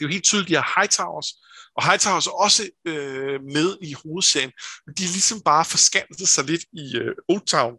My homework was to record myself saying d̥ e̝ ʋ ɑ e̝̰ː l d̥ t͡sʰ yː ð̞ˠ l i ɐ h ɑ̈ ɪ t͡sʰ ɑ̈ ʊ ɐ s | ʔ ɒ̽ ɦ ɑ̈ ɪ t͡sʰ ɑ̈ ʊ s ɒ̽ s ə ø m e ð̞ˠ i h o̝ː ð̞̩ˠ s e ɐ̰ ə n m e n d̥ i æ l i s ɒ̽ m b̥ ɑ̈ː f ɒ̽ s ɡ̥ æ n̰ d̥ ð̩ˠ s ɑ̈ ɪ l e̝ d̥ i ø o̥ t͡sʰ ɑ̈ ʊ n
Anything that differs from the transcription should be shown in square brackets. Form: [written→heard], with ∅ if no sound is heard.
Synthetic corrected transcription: d̥ e̝ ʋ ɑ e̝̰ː l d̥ t͡sʰ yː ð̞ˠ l i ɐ h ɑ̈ ɪ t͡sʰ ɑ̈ ʊ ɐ s | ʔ ɒ̽ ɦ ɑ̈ ɪ t͡sʰ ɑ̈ ʊ s ɒ̽ s ə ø m e ð̞ˠ i h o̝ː ð̞̩ˠ s e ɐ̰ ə n m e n d̥ i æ l i s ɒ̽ m b̥ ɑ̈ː f ɒ̽ s ɡ̥ æ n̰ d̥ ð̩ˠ s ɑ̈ ɪ l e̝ d̥ i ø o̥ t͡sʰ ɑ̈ ʊ n